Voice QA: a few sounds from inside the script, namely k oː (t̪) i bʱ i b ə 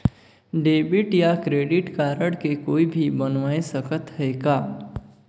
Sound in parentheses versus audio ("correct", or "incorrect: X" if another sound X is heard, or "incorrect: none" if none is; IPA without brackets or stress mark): incorrect: none